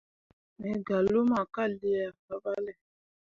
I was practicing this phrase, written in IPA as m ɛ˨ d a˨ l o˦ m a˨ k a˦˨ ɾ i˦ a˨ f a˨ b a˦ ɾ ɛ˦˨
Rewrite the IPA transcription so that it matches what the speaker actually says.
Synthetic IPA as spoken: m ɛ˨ ɡ a˨ l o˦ m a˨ k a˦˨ l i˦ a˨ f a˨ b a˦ l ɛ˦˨